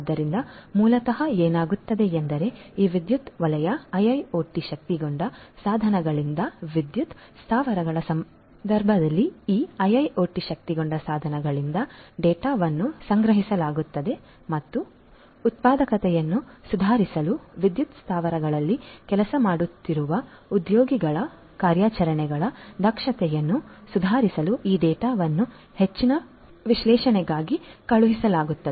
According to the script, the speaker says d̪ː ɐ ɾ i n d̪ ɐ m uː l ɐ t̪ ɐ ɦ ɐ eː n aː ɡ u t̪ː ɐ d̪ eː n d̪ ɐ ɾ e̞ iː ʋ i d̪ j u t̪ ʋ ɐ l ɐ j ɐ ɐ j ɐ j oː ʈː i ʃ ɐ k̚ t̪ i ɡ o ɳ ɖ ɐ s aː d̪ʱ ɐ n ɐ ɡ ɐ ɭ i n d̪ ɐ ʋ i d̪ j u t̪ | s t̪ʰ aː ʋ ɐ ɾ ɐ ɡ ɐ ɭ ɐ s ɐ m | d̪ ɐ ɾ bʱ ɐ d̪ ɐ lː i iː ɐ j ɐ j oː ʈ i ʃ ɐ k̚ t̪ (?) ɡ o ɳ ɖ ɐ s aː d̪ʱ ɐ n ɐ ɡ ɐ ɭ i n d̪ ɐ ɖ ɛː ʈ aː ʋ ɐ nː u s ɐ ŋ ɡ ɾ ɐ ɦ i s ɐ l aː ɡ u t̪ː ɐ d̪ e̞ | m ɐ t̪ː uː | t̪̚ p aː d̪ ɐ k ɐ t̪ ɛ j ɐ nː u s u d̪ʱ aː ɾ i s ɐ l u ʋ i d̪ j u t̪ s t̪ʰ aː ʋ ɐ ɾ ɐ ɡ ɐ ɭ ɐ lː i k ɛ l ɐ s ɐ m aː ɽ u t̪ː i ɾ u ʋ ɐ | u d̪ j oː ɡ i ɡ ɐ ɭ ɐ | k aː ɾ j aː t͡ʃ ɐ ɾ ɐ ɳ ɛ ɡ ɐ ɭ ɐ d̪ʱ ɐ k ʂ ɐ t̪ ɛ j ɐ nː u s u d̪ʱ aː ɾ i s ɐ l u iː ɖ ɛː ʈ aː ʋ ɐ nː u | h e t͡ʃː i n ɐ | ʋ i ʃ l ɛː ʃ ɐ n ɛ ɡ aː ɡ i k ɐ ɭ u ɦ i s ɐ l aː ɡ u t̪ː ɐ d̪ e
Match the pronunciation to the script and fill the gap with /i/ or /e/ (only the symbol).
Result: i